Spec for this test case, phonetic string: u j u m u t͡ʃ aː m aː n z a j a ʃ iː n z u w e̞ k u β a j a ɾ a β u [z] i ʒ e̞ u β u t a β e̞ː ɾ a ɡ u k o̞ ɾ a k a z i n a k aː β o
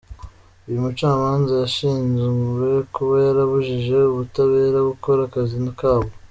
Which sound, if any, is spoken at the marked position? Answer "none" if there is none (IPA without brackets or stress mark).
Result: ʒ